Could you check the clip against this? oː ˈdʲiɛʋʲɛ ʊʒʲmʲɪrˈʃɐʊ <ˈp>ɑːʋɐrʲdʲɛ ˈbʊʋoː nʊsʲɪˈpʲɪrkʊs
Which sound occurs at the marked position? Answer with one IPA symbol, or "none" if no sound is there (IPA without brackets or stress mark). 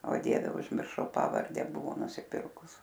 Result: p